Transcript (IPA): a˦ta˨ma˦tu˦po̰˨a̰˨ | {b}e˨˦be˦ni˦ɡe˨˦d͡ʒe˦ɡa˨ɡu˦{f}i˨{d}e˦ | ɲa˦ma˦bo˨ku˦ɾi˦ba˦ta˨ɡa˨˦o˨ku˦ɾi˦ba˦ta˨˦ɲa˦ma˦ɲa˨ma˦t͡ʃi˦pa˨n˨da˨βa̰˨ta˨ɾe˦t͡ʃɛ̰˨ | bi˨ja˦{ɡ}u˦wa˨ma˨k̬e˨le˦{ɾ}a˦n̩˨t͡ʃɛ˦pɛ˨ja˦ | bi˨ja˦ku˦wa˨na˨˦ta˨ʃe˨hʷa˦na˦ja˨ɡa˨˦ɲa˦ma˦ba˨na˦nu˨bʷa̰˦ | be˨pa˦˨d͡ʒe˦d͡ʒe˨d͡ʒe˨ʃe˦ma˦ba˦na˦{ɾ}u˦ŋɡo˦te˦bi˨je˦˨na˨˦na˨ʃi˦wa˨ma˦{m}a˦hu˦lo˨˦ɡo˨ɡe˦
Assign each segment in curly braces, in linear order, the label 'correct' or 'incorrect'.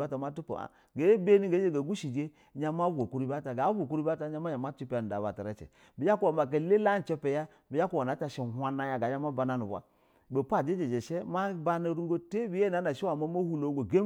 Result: incorrect: ɡ, incorrect: ʃ, incorrect: d͡ʒ, incorrect: k, incorrect: l, correct, correct

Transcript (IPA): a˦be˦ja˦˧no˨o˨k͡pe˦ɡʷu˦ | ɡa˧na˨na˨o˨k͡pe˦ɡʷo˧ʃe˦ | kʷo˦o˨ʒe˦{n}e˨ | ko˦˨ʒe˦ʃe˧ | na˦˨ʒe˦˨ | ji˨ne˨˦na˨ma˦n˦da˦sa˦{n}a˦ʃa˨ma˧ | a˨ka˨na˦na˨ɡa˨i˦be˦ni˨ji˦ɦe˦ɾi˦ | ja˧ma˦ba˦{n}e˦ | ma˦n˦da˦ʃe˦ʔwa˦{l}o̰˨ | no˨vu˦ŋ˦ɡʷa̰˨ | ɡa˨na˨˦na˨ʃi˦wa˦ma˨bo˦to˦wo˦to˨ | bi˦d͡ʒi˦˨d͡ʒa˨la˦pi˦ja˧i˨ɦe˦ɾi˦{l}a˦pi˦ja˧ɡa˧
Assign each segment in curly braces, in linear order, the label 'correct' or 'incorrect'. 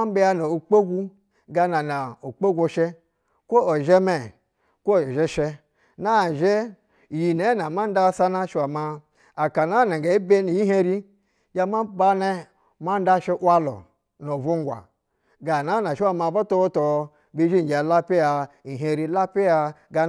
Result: incorrect: m, correct, correct, correct, correct

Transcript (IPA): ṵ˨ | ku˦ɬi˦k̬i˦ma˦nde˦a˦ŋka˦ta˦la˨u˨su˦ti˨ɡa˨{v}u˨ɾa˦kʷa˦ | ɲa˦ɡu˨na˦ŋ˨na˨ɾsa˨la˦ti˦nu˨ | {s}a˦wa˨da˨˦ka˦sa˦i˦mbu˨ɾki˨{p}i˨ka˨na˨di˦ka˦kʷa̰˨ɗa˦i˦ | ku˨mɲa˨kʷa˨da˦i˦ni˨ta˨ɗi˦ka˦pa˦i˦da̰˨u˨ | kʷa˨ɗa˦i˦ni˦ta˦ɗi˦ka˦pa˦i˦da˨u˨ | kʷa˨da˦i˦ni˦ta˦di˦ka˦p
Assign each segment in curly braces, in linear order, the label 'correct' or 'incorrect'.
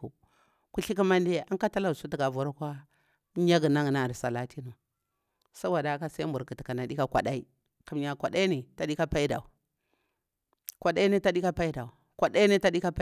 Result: correct, correct, incorrect: t

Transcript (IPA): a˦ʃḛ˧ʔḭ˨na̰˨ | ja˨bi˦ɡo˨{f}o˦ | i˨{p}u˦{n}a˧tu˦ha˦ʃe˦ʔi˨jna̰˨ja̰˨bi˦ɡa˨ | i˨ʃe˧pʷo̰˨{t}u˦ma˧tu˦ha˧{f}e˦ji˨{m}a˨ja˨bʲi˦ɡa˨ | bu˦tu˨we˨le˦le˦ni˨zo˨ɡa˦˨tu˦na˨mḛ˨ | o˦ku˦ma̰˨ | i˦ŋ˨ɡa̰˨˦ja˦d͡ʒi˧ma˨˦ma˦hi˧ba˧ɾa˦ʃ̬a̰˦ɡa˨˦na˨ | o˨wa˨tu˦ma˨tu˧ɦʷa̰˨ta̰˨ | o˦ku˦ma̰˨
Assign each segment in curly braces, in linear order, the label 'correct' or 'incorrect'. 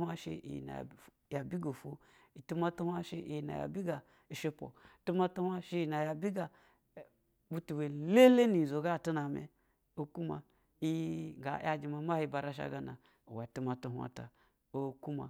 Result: correct, incorrect: t, incorrect: m, correct, incorrect: ʃ, incorrect: n

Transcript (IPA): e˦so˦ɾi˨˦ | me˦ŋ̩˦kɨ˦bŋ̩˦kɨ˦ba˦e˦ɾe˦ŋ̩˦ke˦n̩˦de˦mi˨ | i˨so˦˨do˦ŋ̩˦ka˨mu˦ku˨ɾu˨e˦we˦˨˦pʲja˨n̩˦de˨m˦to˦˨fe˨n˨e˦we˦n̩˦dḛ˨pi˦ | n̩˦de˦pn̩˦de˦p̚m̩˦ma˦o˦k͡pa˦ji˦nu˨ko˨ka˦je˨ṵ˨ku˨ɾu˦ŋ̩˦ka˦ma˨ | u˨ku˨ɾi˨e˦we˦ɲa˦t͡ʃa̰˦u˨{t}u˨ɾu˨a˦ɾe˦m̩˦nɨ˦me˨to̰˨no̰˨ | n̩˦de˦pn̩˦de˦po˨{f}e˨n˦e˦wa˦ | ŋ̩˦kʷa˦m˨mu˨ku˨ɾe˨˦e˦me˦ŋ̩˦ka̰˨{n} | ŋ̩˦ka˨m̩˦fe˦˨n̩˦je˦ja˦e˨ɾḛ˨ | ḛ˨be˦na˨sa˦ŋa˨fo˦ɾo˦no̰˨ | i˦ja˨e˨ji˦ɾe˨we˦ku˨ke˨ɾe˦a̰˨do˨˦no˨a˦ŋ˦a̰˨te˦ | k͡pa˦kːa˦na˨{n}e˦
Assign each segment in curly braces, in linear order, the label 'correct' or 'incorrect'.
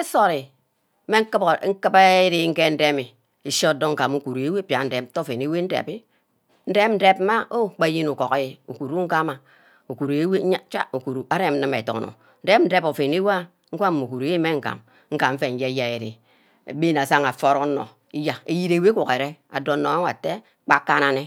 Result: incorrect: k, correct, incorrect: m, correct

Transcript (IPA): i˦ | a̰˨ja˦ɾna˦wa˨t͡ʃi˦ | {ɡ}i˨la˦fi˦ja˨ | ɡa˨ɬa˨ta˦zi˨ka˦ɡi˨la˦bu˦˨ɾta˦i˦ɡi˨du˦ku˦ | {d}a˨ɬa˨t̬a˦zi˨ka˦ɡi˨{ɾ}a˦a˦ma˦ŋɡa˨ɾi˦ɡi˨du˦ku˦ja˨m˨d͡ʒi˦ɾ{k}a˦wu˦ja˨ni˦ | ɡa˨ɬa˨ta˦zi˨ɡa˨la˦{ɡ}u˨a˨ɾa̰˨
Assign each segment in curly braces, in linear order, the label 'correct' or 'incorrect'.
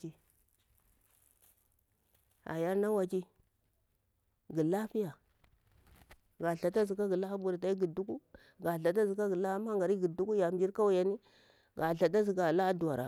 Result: correct, incorrect: ɡ, incorrect: l, correct, incorrect: d

